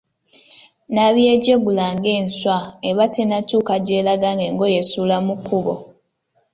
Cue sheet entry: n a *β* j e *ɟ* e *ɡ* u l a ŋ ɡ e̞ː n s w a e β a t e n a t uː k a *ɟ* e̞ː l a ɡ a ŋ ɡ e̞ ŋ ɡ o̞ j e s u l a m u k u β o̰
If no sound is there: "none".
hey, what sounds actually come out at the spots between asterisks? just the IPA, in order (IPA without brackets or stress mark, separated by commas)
β, ɟ, ɡ, ɟ